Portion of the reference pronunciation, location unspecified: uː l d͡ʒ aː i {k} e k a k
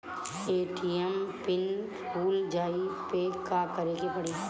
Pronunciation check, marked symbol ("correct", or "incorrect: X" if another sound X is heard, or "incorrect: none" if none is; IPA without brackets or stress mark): incorrect: p